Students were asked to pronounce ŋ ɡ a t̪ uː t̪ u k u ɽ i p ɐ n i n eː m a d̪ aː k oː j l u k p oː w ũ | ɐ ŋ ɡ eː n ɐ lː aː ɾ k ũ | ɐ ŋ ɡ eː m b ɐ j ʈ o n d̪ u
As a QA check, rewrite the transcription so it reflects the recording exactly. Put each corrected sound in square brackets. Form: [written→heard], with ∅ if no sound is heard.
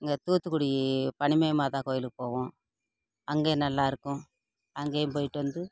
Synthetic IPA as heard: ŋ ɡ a t̪ uː t̪ u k u ɽ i p ɐ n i [n→m] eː m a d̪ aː k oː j l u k p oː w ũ | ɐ ŋ ɡ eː n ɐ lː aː ɾ k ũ | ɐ ŋ ɡ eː m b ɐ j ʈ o n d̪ u